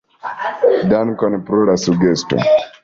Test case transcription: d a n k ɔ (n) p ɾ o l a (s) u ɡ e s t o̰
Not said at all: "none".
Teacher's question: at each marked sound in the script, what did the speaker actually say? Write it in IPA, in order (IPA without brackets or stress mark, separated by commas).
n, s